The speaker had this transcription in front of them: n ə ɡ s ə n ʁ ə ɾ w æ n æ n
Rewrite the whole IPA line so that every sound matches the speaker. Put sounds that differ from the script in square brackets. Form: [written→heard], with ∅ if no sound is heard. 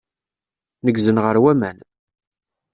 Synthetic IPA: n ə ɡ [s→z] ə n ʁ ə ɾ w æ [n→m] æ n